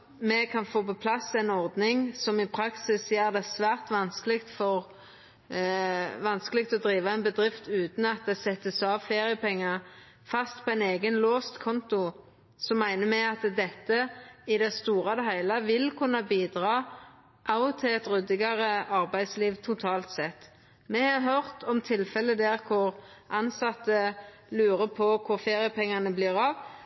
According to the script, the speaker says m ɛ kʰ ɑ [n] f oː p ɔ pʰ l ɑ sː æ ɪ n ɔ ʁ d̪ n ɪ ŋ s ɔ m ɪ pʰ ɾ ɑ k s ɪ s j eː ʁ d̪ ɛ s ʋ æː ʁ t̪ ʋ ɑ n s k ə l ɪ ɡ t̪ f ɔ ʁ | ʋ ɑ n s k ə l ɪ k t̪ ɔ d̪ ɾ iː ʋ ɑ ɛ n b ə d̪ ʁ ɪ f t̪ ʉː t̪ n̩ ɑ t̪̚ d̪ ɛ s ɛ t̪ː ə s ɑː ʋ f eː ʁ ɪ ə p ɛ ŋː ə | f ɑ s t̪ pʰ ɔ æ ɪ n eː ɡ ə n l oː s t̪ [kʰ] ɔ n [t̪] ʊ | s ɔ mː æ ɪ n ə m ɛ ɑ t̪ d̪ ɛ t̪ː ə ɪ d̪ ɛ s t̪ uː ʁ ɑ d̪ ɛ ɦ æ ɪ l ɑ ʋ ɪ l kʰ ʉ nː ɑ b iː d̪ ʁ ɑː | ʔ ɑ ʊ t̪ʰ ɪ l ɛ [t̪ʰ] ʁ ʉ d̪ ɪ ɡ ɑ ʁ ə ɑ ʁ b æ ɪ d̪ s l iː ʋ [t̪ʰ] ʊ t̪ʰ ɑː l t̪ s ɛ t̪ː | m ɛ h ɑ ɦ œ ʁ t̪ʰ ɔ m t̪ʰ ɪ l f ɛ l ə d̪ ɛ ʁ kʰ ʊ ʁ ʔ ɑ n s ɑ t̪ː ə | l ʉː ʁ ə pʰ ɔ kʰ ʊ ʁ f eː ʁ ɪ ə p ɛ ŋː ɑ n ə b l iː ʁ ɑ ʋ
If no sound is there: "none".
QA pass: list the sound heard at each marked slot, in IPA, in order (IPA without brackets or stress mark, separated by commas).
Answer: n, kʰ, t̪, t̪, t̪ʰ